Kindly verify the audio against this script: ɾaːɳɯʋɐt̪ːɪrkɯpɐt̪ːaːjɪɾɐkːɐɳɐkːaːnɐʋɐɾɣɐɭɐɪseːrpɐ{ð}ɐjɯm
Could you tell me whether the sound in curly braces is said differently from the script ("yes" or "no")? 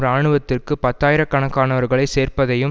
no